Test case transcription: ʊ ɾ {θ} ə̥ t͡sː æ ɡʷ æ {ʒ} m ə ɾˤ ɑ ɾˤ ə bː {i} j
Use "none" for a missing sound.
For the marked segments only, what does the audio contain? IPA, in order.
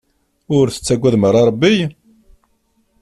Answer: θ, ð, i

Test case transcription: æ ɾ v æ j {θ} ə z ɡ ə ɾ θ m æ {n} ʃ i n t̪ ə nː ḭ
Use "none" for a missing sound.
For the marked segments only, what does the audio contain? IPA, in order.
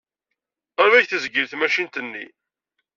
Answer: θ, none

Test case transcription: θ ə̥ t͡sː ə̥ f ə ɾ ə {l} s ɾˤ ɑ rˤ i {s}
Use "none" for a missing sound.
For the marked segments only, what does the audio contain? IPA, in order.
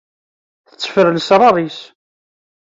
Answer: l, s

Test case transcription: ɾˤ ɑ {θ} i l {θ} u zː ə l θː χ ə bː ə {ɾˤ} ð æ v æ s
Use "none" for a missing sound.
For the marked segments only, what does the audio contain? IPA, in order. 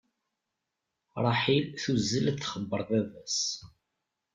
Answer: ħ, θ, ɾˤ

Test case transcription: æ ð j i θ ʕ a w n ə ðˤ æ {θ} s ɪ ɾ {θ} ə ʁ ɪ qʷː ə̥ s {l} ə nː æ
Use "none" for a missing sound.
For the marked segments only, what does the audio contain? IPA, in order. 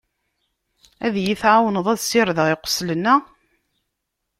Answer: ð, ð, l

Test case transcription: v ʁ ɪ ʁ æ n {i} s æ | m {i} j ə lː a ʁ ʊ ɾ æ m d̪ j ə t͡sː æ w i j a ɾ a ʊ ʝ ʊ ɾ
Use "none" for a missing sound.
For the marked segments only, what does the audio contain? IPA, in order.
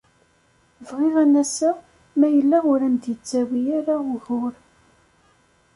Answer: æ, æ

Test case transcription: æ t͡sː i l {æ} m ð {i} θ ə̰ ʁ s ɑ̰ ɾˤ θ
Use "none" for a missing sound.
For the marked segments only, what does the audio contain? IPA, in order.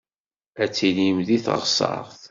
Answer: i, i

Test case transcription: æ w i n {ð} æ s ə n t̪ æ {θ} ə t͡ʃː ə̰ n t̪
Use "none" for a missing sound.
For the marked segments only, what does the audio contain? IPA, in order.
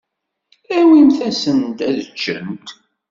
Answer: θ, ð

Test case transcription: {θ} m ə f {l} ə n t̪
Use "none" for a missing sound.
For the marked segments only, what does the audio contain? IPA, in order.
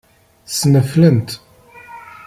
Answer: s, l

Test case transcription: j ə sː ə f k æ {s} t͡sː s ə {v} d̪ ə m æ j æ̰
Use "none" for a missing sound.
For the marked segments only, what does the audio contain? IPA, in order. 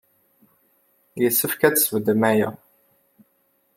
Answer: none, v

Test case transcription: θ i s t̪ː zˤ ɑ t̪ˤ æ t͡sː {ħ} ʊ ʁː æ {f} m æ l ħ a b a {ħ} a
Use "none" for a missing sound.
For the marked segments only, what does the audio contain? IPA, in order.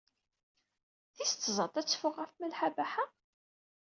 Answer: f, f, ħ

